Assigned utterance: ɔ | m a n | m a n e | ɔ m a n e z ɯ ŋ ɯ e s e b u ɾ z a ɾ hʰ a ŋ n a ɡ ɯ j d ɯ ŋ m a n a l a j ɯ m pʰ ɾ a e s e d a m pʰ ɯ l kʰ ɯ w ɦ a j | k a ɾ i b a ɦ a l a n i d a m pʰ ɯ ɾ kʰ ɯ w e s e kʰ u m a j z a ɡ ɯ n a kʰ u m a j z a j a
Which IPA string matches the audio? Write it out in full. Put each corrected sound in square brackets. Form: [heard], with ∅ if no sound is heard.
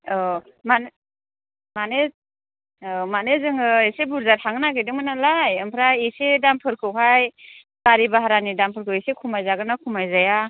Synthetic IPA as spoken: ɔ | m a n | m a n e | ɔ m a n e z ɯ ŋ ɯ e s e b u ɾ z a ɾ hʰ a ŋ n a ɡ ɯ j d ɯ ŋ m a n a l a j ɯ m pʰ ɾ a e s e d a m pʰ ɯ [ɾ] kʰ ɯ w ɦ a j | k a ɾ i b a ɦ a [ɾ] a n i d a m pʰ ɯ ɾ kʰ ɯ w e s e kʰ u m a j z a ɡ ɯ n a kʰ u m a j z a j a